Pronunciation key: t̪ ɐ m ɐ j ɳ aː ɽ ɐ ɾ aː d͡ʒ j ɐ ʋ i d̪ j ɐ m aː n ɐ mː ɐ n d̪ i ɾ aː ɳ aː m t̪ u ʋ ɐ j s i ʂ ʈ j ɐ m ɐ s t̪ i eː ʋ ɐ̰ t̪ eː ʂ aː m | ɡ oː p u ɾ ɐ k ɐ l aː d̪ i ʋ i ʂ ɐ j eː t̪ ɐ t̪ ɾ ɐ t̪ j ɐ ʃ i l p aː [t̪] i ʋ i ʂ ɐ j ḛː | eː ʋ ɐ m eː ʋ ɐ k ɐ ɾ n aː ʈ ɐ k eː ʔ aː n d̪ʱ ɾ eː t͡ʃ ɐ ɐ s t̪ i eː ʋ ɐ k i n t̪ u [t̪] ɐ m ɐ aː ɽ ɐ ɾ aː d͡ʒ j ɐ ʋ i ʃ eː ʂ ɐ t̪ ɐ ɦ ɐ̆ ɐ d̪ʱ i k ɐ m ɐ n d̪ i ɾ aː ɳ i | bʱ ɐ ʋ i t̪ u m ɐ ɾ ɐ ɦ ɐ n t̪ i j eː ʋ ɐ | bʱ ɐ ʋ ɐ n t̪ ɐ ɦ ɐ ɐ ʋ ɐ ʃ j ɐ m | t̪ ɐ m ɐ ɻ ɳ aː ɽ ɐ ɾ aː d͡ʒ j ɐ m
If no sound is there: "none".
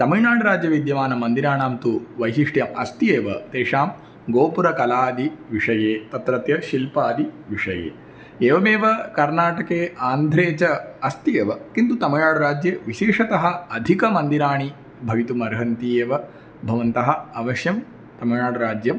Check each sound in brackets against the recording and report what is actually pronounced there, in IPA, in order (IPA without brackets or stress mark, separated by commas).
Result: d̪, t̪